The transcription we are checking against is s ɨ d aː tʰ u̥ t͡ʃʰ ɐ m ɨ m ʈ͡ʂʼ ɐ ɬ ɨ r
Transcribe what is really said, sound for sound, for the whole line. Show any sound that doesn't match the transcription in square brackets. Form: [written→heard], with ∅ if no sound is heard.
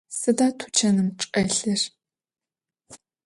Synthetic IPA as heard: s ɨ d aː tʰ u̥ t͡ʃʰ ɐ [m→n] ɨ m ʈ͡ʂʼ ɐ ɬ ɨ r

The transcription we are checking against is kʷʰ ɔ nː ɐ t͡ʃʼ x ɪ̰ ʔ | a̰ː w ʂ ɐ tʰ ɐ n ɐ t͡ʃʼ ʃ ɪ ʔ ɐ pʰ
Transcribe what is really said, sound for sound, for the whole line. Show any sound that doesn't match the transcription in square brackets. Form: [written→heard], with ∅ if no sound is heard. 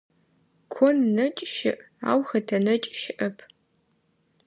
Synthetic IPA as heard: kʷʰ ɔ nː ɐ t͡ʃʼ [x→ʃ] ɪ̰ ʔ | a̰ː w [ʂ→x] ɐ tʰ ɐ n ɐ t͡ʃʼ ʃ ɪ ʔ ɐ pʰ

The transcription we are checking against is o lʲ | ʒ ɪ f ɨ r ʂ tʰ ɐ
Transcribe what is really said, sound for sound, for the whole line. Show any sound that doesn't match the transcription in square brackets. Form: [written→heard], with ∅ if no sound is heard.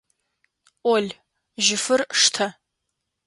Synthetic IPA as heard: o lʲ | ʒ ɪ f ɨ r ʂ tʰ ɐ

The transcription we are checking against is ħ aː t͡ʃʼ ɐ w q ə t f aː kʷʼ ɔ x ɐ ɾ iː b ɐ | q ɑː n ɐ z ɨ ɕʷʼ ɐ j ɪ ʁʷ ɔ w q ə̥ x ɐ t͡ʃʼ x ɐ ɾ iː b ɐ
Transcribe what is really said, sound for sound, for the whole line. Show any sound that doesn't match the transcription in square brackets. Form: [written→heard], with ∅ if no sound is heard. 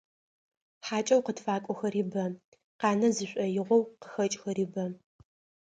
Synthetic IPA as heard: ħ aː t͡ʃʼ ɐ w q ə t f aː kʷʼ ɔ x ɐ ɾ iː b ɐ | q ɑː n ɐ z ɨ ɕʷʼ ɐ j ɪ ʁʷ ɔ w q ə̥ x ɐ t͡ʃʼ x ɐ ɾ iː b ɐ

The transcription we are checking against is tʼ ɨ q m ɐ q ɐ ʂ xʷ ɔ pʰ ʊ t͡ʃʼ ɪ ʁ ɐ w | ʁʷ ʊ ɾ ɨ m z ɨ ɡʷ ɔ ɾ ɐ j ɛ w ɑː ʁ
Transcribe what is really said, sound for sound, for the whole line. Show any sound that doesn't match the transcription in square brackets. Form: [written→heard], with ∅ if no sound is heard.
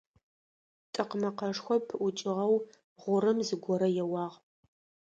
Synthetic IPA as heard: tʼ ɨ q m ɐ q ɐ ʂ xʷ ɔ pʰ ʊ t͡ʃʼ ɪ ʁ ɐ w | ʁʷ ʊ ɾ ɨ m z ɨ ɡʷ ɔ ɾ ɐ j ɛ w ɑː ʁ

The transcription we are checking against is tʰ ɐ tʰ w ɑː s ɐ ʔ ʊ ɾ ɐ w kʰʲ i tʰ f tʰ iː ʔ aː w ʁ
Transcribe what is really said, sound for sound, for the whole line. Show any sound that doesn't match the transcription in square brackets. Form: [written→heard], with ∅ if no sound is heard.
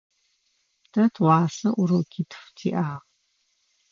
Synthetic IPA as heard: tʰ ɐ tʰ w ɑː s ɐ ʔ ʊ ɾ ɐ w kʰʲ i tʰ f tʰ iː ʔ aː [w→∅] ʁ

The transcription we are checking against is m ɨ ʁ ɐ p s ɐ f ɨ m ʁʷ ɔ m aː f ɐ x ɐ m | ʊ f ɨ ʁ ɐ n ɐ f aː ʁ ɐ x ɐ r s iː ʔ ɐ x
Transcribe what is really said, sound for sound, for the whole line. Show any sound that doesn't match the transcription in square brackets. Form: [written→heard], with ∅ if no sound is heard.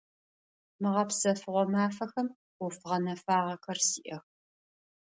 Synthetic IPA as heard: m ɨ ʁ ɐ p s ɐ f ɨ [m→∅] ʁʷ ɔ m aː f ɐ x ɐ m | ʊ f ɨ ʁ ɐ n ɐ f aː ʁ ɐ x ɐ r s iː ʔ ɐ x

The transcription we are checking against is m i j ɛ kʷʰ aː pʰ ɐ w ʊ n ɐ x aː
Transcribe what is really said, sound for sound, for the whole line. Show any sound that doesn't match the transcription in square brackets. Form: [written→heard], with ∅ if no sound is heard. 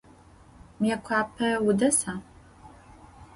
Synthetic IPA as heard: m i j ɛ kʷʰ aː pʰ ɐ w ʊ [n→d] ɐ [x→s] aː

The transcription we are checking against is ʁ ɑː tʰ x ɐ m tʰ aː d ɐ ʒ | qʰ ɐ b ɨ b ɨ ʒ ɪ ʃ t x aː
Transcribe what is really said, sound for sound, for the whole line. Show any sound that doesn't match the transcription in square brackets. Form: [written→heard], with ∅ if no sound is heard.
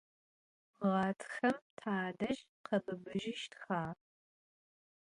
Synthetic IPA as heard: ʁ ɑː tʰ x ɐ m tʰ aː d ɐ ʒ | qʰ ɐ b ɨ b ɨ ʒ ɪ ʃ t x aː

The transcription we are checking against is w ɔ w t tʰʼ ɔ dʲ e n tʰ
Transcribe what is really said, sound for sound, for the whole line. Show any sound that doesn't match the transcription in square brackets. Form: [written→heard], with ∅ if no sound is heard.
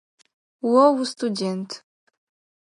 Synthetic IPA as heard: w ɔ w [t→s] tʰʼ [ɔ→u] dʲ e n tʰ

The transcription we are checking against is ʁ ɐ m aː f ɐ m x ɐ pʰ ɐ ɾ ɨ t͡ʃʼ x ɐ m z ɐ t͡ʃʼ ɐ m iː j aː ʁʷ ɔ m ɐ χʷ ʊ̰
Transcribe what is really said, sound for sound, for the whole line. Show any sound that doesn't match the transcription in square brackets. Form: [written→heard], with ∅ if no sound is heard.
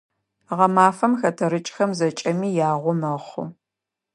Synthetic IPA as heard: ʁ ɐ m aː f ɐ m x ɐ [pʰ→tʰ] ɐ ɾ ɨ t͡ʃʼ x ɐ m z ɐ t͡ʃʼ ɐ m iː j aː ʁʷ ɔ m ɐ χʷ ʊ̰

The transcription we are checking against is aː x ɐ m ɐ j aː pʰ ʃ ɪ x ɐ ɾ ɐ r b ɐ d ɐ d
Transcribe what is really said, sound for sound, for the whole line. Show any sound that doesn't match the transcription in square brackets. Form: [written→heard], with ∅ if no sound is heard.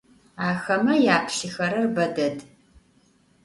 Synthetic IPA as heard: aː x ɐ m ɐ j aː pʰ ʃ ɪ x ɐ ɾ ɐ r b ɐ d ɐ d

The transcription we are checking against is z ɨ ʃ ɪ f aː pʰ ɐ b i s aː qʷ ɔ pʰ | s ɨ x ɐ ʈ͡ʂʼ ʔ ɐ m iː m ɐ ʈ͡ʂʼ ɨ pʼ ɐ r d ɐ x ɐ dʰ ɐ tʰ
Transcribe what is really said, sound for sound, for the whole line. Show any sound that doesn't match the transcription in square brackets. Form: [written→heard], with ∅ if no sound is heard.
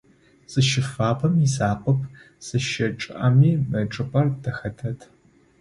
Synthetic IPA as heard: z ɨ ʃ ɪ f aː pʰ ɐ [b→m] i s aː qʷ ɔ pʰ | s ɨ [x→ʃ] ɐ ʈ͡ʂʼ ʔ ɐ m iː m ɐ ʈ͡ʂʼ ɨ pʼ ɐ r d ɐ x ɐ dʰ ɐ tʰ

